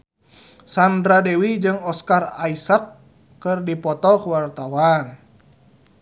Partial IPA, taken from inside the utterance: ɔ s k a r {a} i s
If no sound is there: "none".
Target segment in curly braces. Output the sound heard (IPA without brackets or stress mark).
a